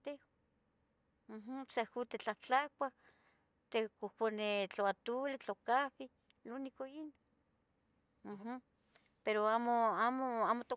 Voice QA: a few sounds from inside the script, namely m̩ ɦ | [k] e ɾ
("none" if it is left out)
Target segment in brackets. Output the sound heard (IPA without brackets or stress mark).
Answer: p